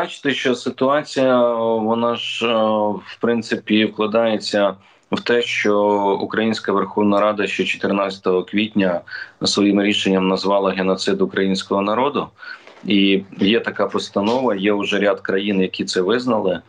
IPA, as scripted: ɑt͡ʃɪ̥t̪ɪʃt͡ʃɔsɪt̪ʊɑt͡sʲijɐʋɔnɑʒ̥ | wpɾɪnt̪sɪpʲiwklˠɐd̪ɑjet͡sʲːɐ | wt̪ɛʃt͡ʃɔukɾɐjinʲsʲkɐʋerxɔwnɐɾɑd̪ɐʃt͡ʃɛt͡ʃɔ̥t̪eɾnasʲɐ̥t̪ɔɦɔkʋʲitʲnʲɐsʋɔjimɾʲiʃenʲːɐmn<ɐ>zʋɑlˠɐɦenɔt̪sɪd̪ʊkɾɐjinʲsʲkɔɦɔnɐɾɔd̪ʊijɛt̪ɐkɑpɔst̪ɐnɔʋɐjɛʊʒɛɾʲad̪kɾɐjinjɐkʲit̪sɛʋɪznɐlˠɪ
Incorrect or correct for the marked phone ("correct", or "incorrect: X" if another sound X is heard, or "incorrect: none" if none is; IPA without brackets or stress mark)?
correct